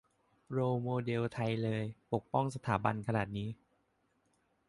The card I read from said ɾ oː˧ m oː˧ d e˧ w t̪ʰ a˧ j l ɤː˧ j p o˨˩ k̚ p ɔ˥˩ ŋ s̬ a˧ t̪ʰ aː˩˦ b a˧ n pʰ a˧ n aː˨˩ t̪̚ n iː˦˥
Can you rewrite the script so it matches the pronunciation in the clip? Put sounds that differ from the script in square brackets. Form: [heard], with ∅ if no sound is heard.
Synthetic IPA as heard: ɾ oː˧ m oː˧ d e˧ w t̪ʰ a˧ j l ɤː˧ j p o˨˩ k̚ p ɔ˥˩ ŋ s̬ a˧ t̪ʰ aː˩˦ b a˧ n [kʰ] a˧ n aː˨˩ t̪̚ n iː˦˥